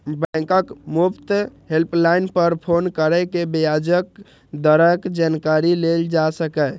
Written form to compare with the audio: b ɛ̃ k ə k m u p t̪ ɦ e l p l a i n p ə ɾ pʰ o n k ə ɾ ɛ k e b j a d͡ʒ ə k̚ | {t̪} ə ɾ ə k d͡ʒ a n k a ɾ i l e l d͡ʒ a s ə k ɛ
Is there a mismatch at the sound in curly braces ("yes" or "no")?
yes